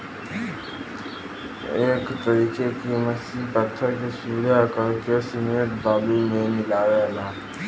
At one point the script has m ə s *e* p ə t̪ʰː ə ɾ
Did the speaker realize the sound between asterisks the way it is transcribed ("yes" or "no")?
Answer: no